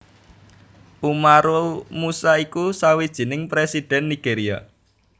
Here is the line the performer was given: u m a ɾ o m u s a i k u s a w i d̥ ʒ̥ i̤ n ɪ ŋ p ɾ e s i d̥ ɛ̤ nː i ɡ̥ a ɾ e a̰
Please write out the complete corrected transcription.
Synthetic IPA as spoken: u m a ɾ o m u s a i k u s a w i d̥ ʒ̥ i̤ n ɪ ŋ p ɾ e s i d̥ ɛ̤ nː i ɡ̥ e ɾ i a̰